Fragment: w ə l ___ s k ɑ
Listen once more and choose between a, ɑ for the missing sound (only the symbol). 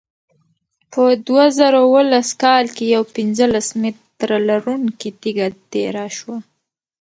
a